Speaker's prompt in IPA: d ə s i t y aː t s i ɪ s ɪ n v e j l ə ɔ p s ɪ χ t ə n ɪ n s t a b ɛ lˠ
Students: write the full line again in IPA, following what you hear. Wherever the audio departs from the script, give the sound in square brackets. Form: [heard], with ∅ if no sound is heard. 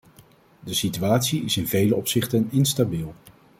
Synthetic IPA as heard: d ə s i t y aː t s i ɪ s ɪ n v e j l ə ɔ p s ɪ χ t ə n ɪ n s t a b [i] lˠ